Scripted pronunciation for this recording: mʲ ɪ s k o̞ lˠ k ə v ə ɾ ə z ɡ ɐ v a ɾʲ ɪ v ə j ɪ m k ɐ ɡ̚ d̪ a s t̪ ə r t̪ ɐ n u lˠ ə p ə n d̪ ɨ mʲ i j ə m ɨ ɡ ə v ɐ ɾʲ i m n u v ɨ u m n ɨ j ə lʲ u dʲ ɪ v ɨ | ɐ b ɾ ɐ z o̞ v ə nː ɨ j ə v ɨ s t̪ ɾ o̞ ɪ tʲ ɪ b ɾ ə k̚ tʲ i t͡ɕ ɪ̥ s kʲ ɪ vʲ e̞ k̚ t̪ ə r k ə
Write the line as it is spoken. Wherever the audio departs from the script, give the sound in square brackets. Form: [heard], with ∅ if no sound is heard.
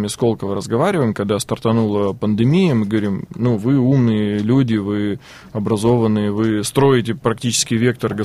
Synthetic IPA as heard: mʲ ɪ s k o̞ lˠ k ə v ə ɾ ə z ɡ ɐ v a ɾʲ ɪ v ə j ɪ m k ɐ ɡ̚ d̪ a s t̪ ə r t̪ ɐ n u lˠ ə p ə n d̪ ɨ mʲ i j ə m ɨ ɡ ə v ɐ ɾʲ i m n u v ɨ u m n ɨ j ə lʲ u dʲ ɪ v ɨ | ɐ b ɾ ɐ z o̞ v ə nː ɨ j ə v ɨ s t̪ ɾ o̞ ɪ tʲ ɪ [p] ɾ [ɐ] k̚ tʲ i t͡ɕ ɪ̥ s kʲ ɪ vʲ e̞ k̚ t̪ ə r [ɡ] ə